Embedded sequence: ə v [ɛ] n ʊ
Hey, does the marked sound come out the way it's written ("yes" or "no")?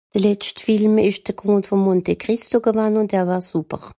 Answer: no